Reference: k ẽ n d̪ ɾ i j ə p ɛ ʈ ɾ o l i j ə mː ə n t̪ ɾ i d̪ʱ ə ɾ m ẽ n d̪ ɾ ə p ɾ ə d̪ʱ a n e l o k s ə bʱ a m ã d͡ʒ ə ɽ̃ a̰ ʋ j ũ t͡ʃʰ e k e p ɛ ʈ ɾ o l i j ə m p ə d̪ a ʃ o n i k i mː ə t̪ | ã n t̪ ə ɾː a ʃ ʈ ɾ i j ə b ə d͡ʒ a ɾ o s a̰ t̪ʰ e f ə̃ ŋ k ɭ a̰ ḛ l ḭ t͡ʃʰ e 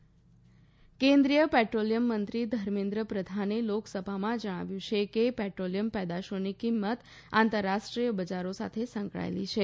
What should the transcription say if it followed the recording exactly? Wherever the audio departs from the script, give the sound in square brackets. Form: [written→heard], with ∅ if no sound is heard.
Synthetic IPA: k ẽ n d̪ ɾ i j ə p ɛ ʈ ɾ o l i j ə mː ə n t̪ ɾ i d̪ʱ ə ɾ m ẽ n d̪ ɾ ə p ɾ ə d̪ʱ a n e l o k s ə bʱ a m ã d͡ʒ ə ɽ̃ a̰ ʋ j ũ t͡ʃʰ e k e p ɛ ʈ ɾ o l i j ə m p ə d̪ a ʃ o n i k i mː ə t̪ | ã n t̪ ə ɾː a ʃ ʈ ɾ i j ə b ə d͡ʒ a ɾ o s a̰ t̪ʰ e [f→s] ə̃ ŋ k ɭ a̰ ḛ l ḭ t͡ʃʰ e

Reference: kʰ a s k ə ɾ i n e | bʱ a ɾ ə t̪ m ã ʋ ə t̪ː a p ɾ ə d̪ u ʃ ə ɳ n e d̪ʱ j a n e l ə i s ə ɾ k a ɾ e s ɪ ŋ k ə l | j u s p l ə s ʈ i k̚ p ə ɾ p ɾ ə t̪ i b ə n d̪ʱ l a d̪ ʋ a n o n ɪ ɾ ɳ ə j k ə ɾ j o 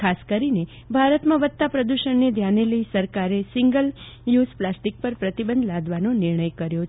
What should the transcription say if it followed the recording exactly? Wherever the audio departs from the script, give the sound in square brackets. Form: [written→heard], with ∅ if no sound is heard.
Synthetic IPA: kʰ a s k ə ɾ i n e | bʱ a ɾ ə t̪ m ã ʋ ə t̪ː a p ɾ ə d̪ u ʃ ə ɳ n e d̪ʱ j a n e l ə i s ə ɾ k a ɾ e s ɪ ŋ [k→ɡ] ə l | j u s p l [ə→a] s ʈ i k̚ p ə ɾ p ɾ ə t̪ i b ə n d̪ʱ l a d̪ ʋ a n o n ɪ ɾ ɳ ə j k ə ɾ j o

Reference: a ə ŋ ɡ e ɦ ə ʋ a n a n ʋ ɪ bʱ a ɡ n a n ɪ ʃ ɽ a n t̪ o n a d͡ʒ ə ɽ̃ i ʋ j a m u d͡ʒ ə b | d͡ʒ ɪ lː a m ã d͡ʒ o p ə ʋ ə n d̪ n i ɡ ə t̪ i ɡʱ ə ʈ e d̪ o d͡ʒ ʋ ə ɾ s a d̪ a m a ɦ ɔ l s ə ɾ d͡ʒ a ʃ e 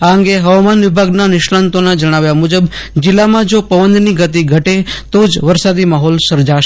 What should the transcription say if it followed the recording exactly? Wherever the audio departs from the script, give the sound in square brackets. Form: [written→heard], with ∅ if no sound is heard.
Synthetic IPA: a ə ŋ ɡ e ɦ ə ʋ a [n→m] a n ʋ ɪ bʱ a ɡ n a n ɪ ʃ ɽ a n t̪ o n a d͡ʒ ə ɽ̃ [i→a] ʋ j a m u d͡ʒ ə b | d͡ʒ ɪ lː a m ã d͡ʒ o p ə ʋ ə n d̪ n i ɡ ə t̪ i ɡʱ ə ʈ e [d̪→t̪] o d͡ʒ ʋ ə ɾ s a d̪ [a→i] m a ɦ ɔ l s ə ɾ d͡ʒ a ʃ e

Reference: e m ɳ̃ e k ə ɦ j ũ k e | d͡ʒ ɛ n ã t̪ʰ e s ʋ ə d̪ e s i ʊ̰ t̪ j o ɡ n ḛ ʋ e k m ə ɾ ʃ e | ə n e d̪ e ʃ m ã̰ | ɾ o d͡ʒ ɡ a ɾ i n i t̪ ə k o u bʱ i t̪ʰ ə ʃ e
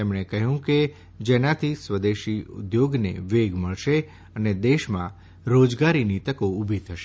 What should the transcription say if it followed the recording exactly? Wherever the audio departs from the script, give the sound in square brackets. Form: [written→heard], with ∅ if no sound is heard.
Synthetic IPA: e m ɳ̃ e k ə ɦ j ũ k e | d͡ʒ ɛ n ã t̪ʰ [e→i] s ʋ ə d̪ e [s→ʃ] i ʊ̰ [t̪→d̪] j o ɡ n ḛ ʋ e [k→ɡ] m ə [ɾ→ɭ] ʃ e | ə n e d̪ e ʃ m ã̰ | ɾ o d͡ʒ ɡ a ɾ i n i t̪ ə k o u bʱ i t̪ʰ ə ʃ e

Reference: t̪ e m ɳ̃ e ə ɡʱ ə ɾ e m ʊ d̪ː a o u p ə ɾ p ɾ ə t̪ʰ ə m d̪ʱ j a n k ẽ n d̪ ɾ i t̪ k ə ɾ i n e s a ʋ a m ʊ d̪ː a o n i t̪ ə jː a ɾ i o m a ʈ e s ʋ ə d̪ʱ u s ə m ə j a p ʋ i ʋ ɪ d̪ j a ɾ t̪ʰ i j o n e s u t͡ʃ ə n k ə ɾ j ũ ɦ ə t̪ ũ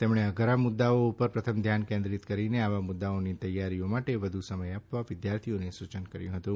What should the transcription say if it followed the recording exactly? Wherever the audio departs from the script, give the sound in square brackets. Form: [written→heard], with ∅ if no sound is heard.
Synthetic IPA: t̪ e m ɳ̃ e ə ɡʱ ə ɾ [e→a] m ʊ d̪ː a o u p ə ɾ p ɾ ə t̪ʰ ə m d̪ʱ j a n k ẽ n d̪ ɾ i t̪ k ə ɾ i n e [s→∅] a ʋ a m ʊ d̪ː a o n i t̪ ə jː a ɾ i o m a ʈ e [s→∅] ʋ ə d̪ʱ u s ə m ə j a p ʋ [i→a] ʋ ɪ d̪ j a ɾ t̪ʰ i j o n e s u t͡ʃ ə n k ə ɾ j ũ ɦ ə t̪ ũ

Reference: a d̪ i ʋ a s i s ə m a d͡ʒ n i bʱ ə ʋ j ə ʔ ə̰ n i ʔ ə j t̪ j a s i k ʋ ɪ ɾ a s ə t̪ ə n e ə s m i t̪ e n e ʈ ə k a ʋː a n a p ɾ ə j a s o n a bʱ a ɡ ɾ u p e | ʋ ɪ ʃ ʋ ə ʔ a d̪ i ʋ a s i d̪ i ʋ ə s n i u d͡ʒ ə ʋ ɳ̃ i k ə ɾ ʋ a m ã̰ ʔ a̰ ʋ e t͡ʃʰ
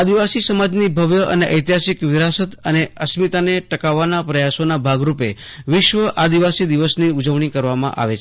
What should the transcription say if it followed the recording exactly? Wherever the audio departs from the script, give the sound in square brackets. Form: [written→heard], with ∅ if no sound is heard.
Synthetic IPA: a d̪ i ʋ a s i s ə m a d͡ʒ n i bʱ ə ʋ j ə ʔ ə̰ n [i→e] ʔ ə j t̪ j a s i k ʋ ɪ ɾ a s ə t̪ ə n e ə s m i t̪ [e→a] n e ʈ ə k a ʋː a n a p ɾ ə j a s o n a bʱ a ɡ ɾ u p e | ʋ ɪ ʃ ʋ ə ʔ a d̪ i ʋ a s i d̪ i ʋ ə s n i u d͡ʒ ə ʋ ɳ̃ i k ə ɾ ʋ a m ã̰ ʔ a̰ ʋ e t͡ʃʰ

